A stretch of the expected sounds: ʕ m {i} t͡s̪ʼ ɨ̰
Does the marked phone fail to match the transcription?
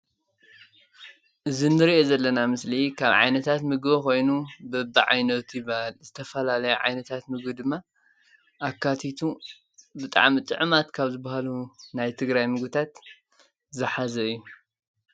no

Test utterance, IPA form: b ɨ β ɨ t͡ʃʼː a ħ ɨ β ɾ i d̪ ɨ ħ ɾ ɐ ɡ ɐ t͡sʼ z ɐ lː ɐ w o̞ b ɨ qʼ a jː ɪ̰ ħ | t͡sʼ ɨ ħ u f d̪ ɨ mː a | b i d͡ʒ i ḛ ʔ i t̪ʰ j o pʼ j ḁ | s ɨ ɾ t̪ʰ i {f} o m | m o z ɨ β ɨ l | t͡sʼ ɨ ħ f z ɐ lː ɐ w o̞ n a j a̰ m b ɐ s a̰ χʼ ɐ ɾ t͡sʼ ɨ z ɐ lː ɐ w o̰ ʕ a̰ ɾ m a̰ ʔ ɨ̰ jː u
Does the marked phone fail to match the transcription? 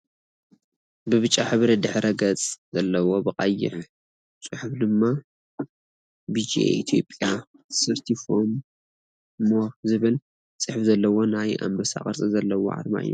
no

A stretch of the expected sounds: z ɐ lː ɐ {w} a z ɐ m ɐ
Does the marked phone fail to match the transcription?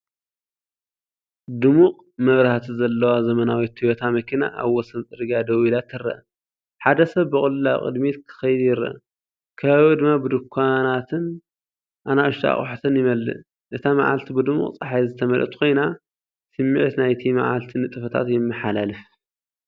no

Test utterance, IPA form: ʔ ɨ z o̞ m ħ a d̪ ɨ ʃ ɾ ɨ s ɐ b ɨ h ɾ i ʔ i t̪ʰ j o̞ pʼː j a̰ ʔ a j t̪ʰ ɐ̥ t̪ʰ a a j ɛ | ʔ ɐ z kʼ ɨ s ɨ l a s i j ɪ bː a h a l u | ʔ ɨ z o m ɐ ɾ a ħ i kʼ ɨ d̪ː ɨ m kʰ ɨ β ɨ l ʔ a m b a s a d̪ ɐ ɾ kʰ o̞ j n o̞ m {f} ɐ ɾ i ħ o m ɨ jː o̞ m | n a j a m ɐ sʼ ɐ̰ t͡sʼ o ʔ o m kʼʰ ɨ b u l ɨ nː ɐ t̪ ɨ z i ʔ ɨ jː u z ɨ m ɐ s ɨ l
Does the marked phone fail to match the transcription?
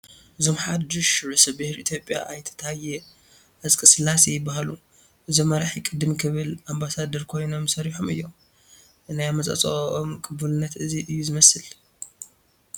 yes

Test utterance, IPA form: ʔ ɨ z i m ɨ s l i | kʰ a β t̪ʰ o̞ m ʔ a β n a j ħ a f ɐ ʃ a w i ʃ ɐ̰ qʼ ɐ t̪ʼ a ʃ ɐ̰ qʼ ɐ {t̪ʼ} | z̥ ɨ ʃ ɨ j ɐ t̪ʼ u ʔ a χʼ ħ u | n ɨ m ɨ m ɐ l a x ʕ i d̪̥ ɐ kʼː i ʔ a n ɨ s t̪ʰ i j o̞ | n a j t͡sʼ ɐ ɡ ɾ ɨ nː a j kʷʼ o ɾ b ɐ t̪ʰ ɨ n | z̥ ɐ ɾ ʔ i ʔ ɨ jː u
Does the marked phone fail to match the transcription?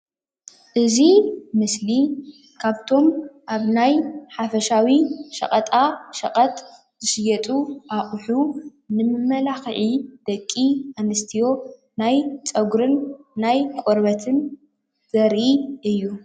no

